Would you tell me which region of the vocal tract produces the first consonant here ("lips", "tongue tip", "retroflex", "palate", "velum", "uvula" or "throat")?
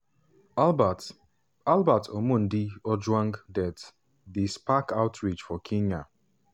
tongue tip